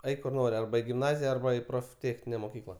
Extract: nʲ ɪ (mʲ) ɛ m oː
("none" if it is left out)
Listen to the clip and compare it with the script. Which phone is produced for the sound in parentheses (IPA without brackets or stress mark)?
nʲ